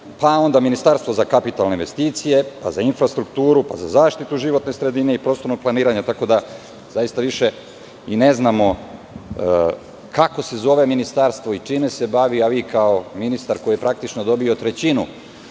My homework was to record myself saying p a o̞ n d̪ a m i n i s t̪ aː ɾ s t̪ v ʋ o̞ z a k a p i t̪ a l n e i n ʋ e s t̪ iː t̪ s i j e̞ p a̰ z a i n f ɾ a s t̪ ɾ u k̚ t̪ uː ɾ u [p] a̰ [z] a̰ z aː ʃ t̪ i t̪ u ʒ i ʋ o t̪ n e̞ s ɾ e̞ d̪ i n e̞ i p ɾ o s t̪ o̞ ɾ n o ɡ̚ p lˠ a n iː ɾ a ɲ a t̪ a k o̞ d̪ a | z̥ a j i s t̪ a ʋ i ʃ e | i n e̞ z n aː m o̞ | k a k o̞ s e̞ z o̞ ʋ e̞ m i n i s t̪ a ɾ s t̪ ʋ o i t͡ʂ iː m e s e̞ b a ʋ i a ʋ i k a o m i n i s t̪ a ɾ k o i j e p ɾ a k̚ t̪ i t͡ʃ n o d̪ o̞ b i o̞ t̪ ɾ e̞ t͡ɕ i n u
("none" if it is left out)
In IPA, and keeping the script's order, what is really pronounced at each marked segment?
p, z

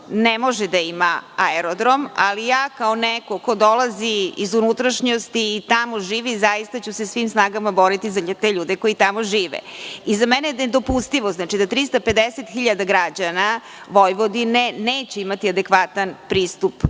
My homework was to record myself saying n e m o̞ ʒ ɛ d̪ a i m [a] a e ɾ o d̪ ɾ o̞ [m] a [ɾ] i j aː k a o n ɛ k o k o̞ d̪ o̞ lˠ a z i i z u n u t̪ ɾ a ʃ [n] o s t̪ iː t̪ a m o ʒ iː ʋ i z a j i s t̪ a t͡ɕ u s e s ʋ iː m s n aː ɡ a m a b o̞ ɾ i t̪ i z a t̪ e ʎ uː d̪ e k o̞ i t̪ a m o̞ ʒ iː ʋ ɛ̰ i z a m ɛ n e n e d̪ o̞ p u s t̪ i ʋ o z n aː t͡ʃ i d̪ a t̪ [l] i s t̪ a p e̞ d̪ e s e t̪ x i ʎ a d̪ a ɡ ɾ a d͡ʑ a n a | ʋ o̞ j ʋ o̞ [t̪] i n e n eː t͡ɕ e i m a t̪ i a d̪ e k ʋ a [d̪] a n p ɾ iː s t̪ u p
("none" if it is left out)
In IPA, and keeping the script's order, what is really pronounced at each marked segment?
a, m, l, ɲ, ɾ, d̪, t̪

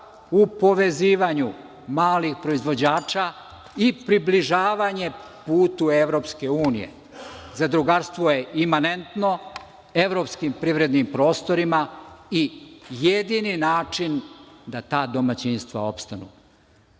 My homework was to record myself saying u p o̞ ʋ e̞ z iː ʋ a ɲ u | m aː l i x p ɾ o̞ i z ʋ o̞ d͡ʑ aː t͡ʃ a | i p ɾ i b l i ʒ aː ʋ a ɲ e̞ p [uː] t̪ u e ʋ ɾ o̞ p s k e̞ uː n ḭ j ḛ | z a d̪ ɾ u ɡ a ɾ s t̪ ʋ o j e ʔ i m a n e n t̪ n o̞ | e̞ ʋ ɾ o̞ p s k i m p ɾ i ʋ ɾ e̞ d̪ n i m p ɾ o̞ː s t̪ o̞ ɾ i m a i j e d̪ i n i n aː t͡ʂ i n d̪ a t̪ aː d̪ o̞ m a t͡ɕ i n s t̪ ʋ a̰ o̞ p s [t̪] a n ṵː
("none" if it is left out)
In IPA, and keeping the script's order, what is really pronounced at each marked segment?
uː, t̪

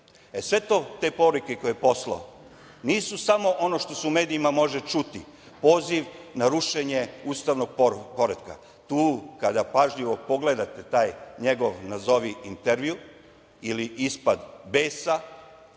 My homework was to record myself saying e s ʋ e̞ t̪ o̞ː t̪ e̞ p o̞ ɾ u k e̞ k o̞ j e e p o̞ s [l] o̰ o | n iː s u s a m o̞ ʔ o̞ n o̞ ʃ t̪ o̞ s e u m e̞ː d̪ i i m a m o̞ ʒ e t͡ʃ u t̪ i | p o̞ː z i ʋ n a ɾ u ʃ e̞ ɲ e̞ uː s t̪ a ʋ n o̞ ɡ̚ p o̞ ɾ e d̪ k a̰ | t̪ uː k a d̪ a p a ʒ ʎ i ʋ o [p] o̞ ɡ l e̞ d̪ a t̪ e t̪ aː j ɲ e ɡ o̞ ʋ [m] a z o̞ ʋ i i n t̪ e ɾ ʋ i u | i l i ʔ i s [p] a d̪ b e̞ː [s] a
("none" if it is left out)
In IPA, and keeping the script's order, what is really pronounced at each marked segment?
l, p, n, p, s

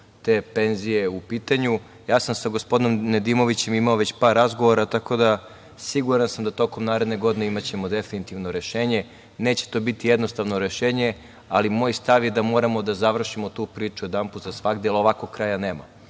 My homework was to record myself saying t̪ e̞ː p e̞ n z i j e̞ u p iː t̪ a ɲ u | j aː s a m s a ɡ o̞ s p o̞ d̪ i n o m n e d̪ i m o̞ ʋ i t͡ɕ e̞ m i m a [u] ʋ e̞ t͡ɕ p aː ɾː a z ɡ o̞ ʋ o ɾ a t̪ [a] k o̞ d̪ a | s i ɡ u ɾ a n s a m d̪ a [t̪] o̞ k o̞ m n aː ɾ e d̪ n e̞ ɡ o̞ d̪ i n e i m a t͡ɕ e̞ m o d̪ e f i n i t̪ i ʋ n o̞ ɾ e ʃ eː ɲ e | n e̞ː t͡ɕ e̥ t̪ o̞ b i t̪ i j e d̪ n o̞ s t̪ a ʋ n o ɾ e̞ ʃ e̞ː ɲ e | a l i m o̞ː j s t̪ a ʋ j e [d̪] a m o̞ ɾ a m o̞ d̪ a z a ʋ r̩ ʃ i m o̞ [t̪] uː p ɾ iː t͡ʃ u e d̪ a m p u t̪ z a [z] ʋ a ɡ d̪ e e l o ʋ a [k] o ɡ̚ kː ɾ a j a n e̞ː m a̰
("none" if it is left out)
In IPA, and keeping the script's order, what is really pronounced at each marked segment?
o, a, t̪, d̪, t̪, s, k

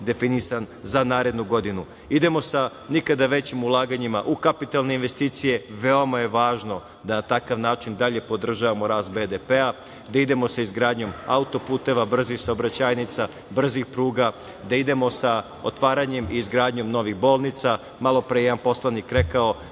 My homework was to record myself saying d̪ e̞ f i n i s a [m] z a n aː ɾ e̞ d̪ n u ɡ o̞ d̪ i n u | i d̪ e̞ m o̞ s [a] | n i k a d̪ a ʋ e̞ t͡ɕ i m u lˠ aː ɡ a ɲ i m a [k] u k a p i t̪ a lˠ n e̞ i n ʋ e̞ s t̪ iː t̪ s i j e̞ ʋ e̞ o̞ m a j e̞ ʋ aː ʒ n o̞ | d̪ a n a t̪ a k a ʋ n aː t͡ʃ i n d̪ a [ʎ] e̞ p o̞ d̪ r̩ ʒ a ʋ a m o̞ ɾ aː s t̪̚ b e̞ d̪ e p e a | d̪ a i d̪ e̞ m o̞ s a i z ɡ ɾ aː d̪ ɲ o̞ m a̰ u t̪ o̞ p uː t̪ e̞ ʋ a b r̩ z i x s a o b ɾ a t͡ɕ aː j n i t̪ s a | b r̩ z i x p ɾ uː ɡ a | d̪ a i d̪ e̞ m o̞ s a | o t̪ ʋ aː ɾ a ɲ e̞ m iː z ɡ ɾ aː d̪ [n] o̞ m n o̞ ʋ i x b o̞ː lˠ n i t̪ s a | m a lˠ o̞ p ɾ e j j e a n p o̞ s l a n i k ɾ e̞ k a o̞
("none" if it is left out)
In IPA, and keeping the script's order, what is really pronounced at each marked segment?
n, a, ʔ, ʎ, ɲ

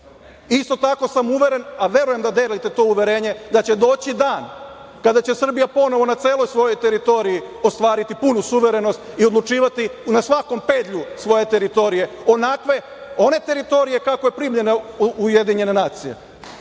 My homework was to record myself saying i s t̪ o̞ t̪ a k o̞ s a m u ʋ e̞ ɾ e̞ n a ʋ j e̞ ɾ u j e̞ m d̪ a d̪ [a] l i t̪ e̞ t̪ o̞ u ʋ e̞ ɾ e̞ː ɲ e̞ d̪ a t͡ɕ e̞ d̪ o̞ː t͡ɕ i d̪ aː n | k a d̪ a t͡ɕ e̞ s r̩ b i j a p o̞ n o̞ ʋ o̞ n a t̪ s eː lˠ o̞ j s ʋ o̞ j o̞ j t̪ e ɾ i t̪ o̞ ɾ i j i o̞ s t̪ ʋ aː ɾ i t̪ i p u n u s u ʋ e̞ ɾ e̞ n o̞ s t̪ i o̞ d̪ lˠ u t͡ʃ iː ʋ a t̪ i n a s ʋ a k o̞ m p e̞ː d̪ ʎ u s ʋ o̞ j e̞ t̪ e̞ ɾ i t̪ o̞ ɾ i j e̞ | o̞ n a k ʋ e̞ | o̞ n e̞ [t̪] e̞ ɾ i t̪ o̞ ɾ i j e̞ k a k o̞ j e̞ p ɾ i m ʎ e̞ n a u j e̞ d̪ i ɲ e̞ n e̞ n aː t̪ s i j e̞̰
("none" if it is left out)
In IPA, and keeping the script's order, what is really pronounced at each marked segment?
e, t̪

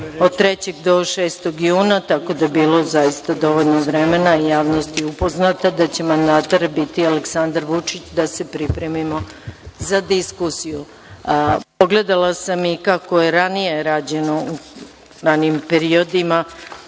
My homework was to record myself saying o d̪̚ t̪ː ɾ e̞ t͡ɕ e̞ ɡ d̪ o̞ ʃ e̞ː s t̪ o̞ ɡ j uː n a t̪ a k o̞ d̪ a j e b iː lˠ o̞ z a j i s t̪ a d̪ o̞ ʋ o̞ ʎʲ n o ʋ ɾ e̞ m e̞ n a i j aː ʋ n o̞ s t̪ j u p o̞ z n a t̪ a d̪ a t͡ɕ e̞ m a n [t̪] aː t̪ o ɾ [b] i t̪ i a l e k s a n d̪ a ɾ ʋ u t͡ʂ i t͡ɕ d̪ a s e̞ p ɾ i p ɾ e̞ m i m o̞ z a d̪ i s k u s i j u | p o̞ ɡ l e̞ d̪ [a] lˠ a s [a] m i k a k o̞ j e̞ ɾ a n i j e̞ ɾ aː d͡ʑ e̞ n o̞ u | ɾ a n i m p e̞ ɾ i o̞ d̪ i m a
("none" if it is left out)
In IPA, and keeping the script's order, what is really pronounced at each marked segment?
d̪, b, a, a

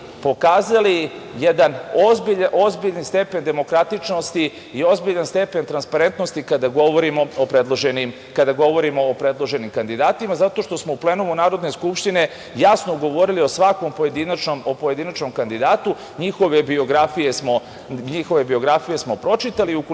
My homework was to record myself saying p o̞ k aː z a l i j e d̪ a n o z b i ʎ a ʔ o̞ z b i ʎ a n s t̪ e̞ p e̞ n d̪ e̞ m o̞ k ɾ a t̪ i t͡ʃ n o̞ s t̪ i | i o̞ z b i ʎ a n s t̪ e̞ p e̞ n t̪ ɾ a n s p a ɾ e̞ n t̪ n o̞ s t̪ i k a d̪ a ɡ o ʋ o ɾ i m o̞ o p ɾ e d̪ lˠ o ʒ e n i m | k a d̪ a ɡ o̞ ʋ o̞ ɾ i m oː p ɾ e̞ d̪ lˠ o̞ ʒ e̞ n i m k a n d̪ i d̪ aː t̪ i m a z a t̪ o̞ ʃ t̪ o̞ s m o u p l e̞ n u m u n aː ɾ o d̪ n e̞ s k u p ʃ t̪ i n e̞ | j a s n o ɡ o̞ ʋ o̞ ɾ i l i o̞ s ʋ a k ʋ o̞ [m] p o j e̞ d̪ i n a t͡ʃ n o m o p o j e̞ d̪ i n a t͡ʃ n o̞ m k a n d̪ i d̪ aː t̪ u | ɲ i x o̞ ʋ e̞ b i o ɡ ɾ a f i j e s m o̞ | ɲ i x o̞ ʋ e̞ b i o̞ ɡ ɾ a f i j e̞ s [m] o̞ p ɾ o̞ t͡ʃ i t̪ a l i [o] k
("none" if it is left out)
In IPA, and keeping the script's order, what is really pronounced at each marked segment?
m, m, u

